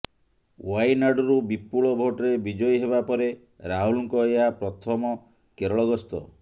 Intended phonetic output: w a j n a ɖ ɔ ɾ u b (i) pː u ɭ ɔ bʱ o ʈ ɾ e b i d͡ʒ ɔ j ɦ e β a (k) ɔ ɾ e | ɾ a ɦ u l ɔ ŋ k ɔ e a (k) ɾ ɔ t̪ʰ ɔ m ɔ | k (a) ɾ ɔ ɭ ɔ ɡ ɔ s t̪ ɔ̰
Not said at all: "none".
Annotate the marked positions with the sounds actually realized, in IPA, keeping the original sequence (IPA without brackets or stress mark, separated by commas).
i, p, p, e